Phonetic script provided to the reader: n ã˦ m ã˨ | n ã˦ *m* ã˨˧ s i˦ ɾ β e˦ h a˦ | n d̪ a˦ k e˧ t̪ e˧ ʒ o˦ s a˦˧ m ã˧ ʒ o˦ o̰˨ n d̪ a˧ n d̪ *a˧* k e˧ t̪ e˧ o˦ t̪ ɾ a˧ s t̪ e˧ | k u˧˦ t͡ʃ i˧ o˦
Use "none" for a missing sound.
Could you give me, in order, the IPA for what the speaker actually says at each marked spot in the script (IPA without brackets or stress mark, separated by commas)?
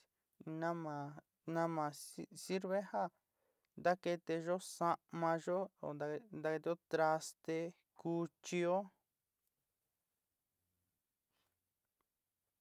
m, a˧